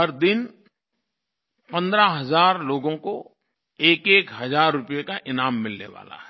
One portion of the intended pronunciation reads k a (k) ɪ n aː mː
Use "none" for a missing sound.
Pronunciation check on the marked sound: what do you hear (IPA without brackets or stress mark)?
ʔ